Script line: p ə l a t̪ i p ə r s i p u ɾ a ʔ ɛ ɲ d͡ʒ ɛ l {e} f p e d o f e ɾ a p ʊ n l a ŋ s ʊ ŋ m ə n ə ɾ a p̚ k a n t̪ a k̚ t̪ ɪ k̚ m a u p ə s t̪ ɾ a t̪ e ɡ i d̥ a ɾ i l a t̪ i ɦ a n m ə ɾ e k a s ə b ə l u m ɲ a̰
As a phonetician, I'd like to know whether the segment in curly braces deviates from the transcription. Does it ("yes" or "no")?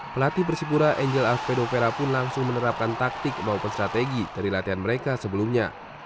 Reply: yes